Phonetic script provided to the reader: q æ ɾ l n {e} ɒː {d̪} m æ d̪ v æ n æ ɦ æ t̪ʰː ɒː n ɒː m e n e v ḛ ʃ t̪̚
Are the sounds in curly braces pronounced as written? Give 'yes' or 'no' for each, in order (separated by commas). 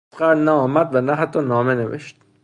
no, no